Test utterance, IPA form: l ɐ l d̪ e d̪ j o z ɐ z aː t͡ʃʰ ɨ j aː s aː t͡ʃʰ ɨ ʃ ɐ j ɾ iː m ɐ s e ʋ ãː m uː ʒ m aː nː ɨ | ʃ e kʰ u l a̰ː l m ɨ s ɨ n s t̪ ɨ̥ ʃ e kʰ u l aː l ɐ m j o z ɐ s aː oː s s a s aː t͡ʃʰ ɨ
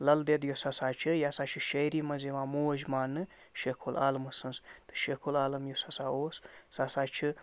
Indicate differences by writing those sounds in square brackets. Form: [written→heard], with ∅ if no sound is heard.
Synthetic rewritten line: l ɐ l d̪ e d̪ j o [z→s] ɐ [z→s] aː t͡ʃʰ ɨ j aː s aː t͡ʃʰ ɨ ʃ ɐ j ɾ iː m ɐ [s→z] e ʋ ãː m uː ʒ m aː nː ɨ | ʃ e kʰ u l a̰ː l m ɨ s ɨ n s t̪ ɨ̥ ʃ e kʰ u l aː l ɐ m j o [z→s] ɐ s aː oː s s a s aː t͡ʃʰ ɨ